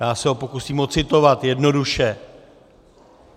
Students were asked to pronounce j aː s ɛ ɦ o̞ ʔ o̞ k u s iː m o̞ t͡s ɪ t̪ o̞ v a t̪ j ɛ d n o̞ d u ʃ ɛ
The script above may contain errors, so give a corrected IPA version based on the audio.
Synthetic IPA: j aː s ɛ ɦ o̞ p o̞ k u s iː m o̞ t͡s ɪ t̪ o̞ v a t̪ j ɛ d n o̞ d u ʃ ɛ